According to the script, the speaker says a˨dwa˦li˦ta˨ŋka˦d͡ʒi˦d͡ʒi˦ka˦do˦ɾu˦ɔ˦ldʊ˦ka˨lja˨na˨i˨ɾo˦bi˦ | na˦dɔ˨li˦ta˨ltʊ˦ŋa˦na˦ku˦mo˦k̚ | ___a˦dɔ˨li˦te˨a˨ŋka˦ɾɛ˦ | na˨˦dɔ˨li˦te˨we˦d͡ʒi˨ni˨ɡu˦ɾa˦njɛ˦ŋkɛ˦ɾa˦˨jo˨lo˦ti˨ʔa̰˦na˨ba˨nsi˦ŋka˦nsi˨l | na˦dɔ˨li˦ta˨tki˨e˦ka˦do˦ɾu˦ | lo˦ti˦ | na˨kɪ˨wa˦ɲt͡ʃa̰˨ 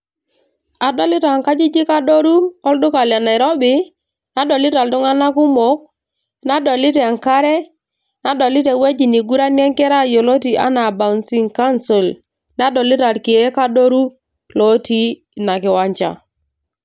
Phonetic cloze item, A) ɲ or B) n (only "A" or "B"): B